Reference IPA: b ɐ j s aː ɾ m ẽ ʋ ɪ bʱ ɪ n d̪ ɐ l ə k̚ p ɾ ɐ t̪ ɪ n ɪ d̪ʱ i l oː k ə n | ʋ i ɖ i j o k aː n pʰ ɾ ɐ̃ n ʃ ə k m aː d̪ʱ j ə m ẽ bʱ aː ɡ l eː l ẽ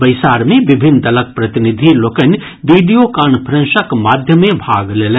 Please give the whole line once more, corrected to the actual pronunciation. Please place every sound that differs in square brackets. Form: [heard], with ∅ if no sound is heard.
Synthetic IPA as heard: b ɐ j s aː ɾ m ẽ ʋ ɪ bʱ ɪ n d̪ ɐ l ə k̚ p ɾ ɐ t̪ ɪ n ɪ d̪ʱ i l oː k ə n | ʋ i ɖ i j o k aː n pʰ ɾ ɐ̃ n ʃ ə k m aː d̪ʱ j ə m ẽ bʱ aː ɡ l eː l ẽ